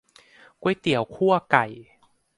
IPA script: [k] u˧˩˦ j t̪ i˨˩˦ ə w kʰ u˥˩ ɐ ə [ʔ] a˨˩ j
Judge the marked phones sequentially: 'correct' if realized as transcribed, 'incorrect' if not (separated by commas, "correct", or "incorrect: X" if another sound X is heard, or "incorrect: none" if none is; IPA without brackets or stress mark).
correct, incorrect: k